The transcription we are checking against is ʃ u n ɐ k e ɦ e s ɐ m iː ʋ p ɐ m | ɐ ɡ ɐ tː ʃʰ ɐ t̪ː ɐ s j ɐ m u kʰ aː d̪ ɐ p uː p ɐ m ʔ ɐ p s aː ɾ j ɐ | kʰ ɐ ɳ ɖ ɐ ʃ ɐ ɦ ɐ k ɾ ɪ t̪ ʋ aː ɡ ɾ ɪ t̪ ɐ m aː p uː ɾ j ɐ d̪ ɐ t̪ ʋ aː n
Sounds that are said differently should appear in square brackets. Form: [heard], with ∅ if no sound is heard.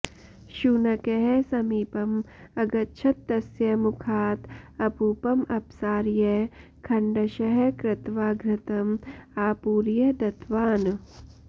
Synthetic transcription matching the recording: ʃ u n ɐ k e ɦ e s ɐ m iː [∅] p ɐ m | ɐ ɡ ɐ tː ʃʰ ɐ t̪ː ɐ s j ɐ m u kʰ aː [t̪] ɐ p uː p ɐ m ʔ ɐ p s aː ɾ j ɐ | kʰ ɐ ɳ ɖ ɐ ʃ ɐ ɦ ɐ k ɾ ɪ t̪ ʋ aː ɡ ɾ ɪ t̪ ɐ m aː p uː ɾ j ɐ d̪ ɐ t̪ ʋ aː n

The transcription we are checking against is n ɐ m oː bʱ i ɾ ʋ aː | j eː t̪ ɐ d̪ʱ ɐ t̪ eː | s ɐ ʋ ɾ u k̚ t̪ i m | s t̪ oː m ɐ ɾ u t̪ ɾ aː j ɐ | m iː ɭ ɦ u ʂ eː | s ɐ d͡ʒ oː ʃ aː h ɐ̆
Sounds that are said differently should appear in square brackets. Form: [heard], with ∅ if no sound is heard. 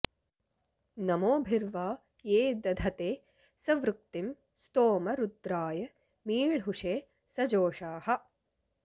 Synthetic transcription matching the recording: n ɐ m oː bʱ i ɾ ʋ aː | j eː [d̪] ɐ d̪ʱ ɐ t̪ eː | s ɐ ʋ ɾ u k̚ t̪ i m | s t̪ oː m ɐ ɾ u [d̪] ɾ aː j ɐ | m iː ɭ ɦ u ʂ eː | s ɐ d͡ʒ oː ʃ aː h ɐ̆

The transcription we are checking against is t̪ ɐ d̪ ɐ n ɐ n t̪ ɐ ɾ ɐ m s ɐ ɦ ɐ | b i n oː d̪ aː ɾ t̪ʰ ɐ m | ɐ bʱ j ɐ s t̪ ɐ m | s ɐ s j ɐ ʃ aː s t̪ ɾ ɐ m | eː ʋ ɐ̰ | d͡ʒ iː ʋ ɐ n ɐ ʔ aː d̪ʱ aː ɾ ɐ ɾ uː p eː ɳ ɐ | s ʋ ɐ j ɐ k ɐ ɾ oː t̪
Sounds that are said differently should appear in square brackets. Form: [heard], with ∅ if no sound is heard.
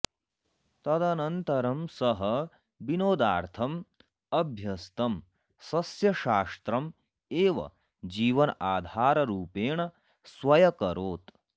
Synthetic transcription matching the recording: t̪ ɐ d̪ ɐ n ɐ n t̪ ɐ ɾ ɐ m s ɐ ɦ ɐ | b i n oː d̪ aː ɾ t̪ʰ ɐ m | ɐ bʱ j ɐ s t̪ ɐ m | s ɐ s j ɐ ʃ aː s t̪ ɾ ɐ m | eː ʋ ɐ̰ | d͡ʒ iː ʋ ɐ n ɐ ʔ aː d̪ʱ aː ɾ ɐ ɾ uː p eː ɳ ɐ | s ʋ ɐ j ɐ k ɐ ɾ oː t̪

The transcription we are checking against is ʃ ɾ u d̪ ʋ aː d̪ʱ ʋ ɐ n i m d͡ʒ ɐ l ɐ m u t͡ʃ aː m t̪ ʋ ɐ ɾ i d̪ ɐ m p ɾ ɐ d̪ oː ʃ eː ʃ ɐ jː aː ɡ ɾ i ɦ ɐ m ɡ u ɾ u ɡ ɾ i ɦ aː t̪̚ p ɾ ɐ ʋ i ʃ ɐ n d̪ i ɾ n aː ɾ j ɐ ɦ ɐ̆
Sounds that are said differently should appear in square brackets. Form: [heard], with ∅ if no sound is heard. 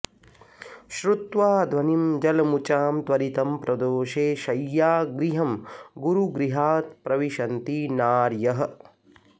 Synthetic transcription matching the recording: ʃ ɾ u [t̪] ʋ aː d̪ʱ ʋ ɐ n i m d͡ʒ ɐ l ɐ m u t͡ʃ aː m t̪ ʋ ɐ ɾ i [t̪] ɐ m p ɾ ɐ d̪ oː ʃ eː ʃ ɐ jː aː ɡ ɾ i ɦ ɐ m ɡ u ɾ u ɡ ɾ i ɦ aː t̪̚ p ɾ ɐ ʋ i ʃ ɐ n [t̪] i [∅] n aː ɾ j ɐ ɦ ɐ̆

